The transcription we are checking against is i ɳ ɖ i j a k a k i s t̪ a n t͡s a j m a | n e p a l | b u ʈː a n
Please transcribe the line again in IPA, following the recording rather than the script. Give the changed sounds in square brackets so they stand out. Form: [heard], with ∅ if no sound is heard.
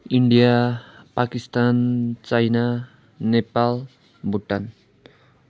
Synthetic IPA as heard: i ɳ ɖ i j a [p] a k i s t̪ a n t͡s a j [n] a | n e p a l | b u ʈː a n